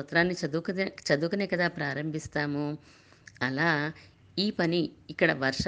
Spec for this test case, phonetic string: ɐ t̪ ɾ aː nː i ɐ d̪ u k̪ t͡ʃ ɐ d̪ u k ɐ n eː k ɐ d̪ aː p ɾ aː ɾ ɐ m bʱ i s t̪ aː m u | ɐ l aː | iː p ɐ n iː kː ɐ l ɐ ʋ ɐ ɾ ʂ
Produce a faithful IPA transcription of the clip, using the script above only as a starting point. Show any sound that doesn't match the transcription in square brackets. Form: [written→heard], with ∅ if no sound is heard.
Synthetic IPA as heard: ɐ t̪ ɾ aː nː i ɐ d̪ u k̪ t͡ʃ ɐ d̪ u k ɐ n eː k ɐ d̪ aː p ɾ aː ɾ ɐ m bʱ i s t̪ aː m u | ɐ l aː | iː p ɐ n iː kː ɐ [l→ɽ] ɐ ʋ ɐ ɾ ʂ